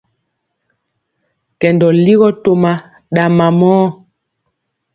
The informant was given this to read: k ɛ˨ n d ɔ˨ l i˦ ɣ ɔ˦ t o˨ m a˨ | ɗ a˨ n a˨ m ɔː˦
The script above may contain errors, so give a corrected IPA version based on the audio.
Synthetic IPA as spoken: k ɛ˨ n d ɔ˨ l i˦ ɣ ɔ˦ t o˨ m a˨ | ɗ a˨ m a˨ m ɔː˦